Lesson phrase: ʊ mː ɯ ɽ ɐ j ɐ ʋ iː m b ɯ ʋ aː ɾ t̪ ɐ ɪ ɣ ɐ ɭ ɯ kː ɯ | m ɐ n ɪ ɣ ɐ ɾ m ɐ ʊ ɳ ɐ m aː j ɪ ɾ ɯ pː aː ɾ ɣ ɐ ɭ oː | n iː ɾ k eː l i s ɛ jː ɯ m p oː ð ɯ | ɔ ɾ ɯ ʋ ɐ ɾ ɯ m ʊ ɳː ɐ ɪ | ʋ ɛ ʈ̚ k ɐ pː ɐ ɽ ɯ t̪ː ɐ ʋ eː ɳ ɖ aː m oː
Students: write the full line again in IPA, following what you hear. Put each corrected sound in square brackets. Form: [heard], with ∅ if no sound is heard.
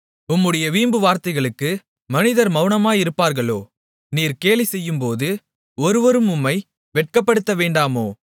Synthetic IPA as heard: ʊ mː ɯ ɽ ɐ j ɐ ʋ iː m b ɯ ʋ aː ɾ t̪ ɐ ɪ ɣ ɐ ɭ ɯ kː ɯ | m ɐ n ɪ [ð] ɐ ɾ m ɐ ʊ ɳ ɐ m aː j ɪ ɾ ɯ pː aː ɾ ɣ ɐ ɭ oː | n iː ɾ k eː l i s ɛ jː ɯ m p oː ð ɯ | ɔ ɾ ɯ ʋ ɐ ɾ ɯ m ʊ [mː] ɐ ɪ | ʋ ɛ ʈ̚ k ɐ pː ɐ ɽ ɯ t̪ː ɐ ʋ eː ɳ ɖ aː m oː